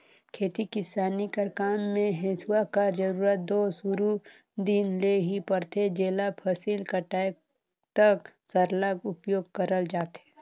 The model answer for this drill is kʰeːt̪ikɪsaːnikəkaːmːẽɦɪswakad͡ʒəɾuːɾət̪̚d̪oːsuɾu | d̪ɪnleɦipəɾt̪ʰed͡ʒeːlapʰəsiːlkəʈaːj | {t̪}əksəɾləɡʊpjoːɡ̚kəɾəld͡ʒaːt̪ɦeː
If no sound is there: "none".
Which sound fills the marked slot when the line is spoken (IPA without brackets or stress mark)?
t̪